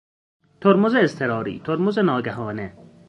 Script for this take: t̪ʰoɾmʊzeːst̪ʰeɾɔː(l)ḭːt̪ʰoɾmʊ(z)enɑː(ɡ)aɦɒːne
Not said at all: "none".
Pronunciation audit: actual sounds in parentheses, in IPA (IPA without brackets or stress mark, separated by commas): ɾ, z, ɡ